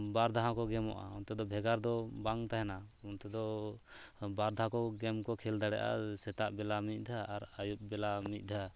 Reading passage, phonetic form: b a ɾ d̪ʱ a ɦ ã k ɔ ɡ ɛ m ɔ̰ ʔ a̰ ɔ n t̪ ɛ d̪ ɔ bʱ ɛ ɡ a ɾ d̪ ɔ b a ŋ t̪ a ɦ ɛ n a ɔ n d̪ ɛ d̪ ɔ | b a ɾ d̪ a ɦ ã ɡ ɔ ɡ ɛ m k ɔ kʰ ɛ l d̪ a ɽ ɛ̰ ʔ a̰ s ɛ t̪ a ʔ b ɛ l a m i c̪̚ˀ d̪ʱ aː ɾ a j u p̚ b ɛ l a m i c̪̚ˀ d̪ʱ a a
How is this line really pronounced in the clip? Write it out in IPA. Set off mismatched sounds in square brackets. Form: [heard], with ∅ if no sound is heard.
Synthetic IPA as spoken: b a ɾ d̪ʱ a ɦ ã k ɔ ɡ ɛ m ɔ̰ ʔ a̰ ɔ n t̪ ɛ d̪ ɔ bʱ ɛ ɡ a ɾ d̪ ɔ b a ŋ t̪ a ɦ ɛ n a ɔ n [t̪] ɛ d̪ ɔ | b a ɾ d̪ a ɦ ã [k] ɔ ɡ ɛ m k ɔ kʰ ɛ l d̪ a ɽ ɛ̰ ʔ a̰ s ɛ t̪ a ʔ b ɛ l a m i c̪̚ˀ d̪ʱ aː ɾ a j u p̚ b ɛ l a m i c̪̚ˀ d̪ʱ a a